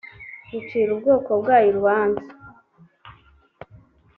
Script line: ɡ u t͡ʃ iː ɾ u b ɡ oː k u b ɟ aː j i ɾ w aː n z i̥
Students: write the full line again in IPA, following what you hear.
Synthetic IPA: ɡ u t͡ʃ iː ɾ u b ɡ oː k o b ɡ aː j i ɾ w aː n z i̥

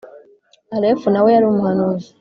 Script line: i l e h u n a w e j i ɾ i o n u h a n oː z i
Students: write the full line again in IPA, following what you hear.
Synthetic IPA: a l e f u n a w e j a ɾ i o m u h a n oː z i

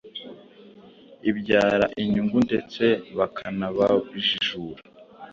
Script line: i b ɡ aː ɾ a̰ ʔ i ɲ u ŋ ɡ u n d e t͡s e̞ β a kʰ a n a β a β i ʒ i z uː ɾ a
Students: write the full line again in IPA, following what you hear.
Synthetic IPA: i b ɟ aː ɾ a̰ ʔ i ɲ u ŋ ɡ u n d e t͡s e̞ β a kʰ a n a β a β i ʒ i ʒ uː ɾ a

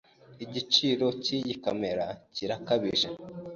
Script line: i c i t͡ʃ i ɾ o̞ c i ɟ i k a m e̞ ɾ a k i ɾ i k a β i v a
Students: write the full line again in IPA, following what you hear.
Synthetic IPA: i ɟ i t͡ʃ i ɾ o̞ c i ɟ i k a m e̞ ɾ a c i ɾ a k a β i ʒ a

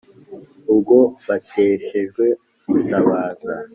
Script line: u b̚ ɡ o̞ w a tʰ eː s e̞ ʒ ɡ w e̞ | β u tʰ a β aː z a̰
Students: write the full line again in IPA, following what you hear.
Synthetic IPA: u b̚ ɡ o̞ β a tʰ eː ʃ e̞ ʒ ɡ w e̞ | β u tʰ a β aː z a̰

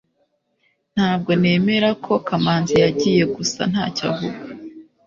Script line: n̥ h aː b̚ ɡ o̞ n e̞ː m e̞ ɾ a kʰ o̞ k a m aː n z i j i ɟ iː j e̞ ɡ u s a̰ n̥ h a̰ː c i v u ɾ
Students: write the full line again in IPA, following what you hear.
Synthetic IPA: n̥ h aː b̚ ɡ o̞ n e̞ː m e̞ ɾ a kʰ o̞ k a m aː n z i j a ɟ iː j e̞ ɡ u s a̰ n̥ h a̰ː c a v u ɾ

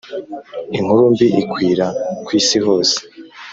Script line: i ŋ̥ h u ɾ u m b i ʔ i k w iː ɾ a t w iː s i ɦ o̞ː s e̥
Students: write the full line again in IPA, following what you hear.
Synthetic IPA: i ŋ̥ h u ɾ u m b i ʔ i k w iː ɾ a k w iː s i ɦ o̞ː s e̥

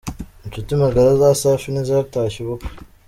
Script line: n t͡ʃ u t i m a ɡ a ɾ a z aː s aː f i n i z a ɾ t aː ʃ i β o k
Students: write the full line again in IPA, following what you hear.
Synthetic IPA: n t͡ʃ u t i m a ɡ a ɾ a z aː s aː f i n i z a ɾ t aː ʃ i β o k

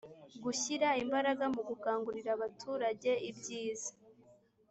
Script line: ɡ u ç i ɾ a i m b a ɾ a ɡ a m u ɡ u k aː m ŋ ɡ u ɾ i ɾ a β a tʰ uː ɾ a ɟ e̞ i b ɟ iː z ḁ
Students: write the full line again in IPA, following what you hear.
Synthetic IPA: ɡ u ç i ɾ a i m b a ɾ a ɡ a m u ɡ u k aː ŋ ɡ u ɾ i ɾ a β a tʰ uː ɾ a ɟ e̞ i b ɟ iː z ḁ

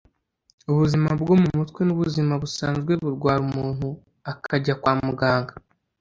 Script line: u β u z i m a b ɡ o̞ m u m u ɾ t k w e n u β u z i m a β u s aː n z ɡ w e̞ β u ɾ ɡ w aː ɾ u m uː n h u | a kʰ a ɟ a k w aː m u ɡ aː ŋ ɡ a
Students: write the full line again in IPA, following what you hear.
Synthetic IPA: u β u z i m a b ɡ o̞ m u m u t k w e n u β u z i m a β u s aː n z ɡ w e̞ β u ɾ ɡ w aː ɾ u m uː n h u | a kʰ a ɟ a k w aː m u ɡ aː ŋ ɡ a

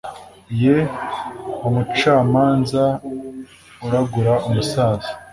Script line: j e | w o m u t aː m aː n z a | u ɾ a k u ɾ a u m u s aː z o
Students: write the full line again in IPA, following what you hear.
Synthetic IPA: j e | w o m u t͡ʃ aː m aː n z a | u ɾ a ɡ u ɾ a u m u s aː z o

